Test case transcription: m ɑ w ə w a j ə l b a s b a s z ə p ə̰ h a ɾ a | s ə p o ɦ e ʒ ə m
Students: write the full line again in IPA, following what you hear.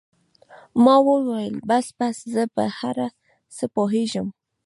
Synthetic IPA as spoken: m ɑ w ə w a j ə l b a s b a s z ə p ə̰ h a ɾ a | s ə p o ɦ e ʒ ə m